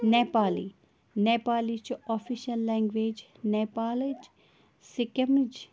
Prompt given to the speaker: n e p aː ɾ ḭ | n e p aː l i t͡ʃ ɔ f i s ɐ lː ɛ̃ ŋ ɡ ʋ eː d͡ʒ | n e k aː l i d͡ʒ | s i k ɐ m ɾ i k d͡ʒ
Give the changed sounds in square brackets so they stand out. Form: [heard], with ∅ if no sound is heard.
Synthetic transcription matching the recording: n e p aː [l] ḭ | n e p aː l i t͡ʃ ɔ f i [ʃ] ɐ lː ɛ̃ ŋ ɡ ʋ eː d͡ʒ | n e [p] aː l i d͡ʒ | s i k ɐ m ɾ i [∅] d͡ʒ